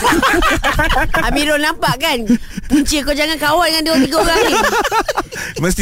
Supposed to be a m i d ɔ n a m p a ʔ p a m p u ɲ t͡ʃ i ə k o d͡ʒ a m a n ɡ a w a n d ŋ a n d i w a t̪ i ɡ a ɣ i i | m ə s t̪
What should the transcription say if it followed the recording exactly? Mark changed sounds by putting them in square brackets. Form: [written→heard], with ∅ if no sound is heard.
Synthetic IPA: a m i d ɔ n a m p a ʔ [p→k] a [m→n] p u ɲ t͡ʃ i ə k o d͡ʒ a [m→ŋ] a n [ɡ→k] a w a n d ŋ a n d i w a t̪ i ɡ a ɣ [i→a] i | m ə s t̪